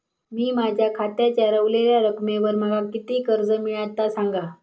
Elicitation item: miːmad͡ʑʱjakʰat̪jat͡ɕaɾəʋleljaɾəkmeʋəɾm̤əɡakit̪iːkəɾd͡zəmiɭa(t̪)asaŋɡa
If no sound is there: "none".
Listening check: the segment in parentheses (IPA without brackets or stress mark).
t̪